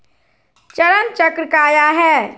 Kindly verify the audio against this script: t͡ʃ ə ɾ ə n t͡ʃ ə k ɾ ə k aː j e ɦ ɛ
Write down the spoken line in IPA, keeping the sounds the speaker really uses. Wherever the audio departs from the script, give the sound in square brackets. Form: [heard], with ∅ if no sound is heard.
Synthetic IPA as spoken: t͡ʃ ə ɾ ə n t͡ʃ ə k ɾ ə k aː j [a] ɦ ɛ